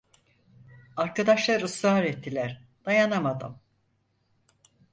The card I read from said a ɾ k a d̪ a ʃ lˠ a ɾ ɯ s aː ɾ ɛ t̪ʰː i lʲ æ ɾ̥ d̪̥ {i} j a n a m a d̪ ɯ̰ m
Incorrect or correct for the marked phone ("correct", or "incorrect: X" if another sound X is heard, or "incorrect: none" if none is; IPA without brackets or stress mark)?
incorrect: a